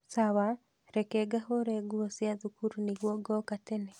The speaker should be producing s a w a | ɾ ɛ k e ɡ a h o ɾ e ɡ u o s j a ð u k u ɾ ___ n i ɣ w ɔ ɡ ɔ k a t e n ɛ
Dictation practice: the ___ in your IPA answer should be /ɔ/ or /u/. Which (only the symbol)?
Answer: u